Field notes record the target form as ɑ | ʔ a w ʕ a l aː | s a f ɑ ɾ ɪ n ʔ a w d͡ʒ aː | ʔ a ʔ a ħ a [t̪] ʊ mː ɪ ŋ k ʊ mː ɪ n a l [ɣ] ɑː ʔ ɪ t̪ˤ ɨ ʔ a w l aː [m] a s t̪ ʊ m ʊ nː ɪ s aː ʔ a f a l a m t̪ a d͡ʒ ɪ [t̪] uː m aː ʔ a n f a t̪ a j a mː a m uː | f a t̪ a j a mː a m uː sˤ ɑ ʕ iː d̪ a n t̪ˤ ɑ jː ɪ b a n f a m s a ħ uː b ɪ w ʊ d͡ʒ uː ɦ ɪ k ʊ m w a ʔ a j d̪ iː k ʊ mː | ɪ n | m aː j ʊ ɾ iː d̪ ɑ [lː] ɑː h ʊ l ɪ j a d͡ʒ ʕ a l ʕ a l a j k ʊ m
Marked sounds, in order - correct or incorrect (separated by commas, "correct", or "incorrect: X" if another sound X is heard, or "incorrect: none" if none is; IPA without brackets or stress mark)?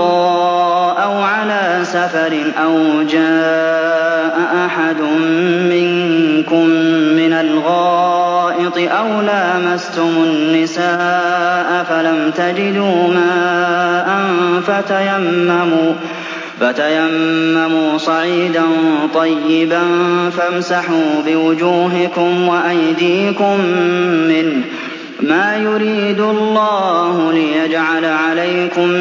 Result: incorrect: d̪, correct, correct, incorrect: d̪, correct